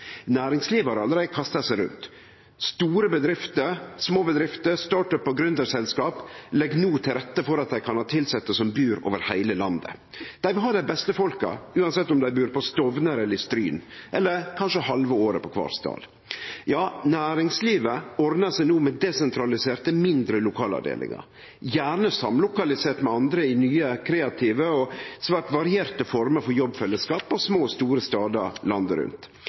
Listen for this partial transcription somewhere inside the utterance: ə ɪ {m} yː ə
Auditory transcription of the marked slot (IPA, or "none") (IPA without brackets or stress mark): n